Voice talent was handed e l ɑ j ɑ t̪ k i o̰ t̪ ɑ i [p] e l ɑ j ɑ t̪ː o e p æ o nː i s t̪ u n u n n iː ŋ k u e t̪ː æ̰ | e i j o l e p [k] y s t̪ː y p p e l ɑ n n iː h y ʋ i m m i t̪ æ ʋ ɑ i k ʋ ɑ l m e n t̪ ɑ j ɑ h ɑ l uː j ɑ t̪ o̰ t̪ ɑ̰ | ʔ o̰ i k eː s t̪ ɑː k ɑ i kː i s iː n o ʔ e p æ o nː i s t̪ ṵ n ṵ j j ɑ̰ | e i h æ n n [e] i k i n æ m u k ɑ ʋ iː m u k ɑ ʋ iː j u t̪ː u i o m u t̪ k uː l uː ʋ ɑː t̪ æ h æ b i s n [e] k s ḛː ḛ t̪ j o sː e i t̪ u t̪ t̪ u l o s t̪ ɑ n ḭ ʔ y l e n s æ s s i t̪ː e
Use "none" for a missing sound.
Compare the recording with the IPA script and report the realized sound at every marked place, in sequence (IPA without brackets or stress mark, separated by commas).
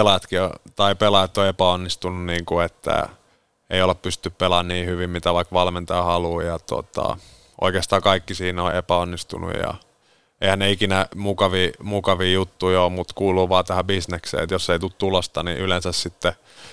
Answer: p, p, e, e